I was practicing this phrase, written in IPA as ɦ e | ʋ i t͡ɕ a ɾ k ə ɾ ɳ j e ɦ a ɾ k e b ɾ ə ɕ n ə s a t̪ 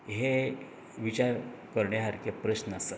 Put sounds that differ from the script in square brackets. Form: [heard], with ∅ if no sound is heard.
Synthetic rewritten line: ɦ e | ʋ i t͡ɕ a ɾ k ə ɾ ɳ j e ɦ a ɾ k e [p] ɾ ə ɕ n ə s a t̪